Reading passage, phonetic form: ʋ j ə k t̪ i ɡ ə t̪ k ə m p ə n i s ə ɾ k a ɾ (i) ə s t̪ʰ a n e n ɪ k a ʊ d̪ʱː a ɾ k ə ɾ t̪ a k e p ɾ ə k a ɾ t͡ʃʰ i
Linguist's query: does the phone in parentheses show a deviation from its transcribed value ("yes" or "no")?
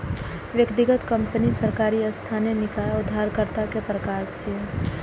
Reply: no